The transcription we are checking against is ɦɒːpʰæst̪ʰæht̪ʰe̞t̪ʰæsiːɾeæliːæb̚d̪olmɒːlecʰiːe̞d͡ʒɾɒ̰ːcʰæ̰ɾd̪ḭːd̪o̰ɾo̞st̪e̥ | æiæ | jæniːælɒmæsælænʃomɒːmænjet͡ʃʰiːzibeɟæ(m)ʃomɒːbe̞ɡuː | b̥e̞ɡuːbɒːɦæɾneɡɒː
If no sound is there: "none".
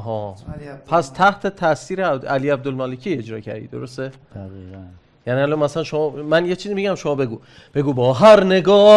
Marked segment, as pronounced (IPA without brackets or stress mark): m